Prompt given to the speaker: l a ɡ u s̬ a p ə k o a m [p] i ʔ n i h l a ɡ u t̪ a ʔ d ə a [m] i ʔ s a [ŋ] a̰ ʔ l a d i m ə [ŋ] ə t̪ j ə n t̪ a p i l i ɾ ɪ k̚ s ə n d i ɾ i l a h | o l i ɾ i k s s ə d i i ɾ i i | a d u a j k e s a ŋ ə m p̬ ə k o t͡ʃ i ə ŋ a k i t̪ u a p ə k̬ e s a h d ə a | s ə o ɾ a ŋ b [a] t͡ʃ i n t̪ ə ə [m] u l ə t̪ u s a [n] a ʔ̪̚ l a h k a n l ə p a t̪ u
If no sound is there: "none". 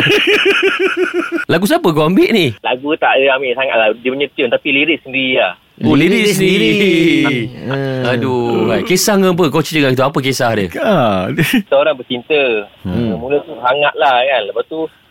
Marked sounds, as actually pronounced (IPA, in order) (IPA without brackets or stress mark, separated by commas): b, m, ŋ, ɲ, ə, m, ŋ